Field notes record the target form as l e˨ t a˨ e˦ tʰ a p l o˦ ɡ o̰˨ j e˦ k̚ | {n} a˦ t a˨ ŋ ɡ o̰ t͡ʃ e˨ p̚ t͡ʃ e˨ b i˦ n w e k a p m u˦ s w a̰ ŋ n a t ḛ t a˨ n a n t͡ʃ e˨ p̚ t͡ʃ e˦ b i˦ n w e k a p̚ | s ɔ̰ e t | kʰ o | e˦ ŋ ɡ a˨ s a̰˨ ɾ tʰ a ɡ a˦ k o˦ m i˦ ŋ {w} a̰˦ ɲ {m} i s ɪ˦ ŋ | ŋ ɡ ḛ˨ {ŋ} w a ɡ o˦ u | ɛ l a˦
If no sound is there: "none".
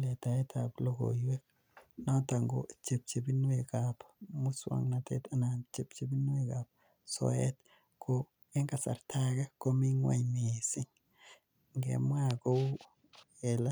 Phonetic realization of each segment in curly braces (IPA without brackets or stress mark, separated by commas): n, w, m, m